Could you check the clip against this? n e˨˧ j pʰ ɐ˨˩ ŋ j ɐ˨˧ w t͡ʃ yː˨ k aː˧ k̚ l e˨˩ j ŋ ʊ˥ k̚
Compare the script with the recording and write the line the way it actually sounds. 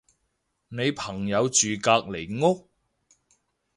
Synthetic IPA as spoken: n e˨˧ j pʰ ɐ˨˩ ŋ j ɐ˨˧ w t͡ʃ yː˨ k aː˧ k̚ l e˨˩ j ŋ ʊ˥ k̚